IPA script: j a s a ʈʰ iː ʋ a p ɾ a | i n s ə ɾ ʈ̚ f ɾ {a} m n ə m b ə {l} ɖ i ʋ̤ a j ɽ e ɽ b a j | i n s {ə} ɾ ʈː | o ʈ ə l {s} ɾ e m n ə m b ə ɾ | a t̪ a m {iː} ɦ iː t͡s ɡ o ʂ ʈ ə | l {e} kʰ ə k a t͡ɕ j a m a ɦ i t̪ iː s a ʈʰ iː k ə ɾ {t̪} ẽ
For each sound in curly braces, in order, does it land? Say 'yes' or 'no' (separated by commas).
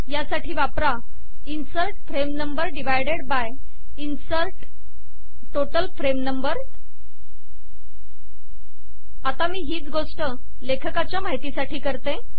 no, no, yes, no, yes, yes, yes